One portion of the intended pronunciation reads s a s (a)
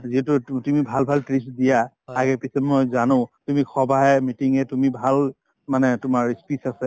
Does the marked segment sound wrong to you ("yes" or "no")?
yes